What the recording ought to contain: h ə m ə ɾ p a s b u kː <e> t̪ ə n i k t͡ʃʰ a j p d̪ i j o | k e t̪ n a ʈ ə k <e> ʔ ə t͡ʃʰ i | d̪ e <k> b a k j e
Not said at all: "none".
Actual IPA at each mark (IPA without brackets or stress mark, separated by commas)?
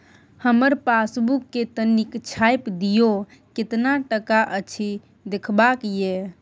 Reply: e, a, kʰ